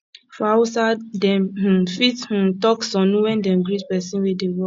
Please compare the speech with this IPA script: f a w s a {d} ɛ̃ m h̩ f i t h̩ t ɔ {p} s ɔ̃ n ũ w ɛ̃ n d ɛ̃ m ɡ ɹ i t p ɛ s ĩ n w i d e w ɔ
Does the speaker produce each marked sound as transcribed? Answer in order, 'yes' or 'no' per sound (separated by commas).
yes, no